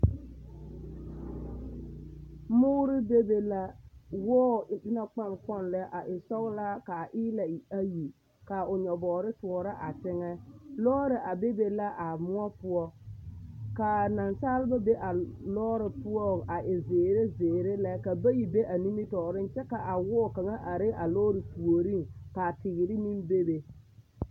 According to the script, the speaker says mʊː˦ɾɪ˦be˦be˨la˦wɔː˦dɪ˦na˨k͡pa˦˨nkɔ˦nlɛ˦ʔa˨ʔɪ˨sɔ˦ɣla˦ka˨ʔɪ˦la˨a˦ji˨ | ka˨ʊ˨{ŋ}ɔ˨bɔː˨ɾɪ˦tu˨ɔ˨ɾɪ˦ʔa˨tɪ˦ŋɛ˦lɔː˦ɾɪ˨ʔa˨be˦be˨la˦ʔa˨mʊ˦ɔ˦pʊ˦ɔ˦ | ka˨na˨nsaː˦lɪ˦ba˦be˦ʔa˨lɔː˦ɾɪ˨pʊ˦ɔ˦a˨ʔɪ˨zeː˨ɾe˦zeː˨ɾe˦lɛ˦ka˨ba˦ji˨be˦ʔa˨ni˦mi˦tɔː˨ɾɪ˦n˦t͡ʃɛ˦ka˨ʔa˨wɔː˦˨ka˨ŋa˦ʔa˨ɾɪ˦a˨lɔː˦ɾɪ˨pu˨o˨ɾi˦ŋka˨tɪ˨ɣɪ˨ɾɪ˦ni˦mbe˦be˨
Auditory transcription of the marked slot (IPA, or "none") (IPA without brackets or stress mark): ɲ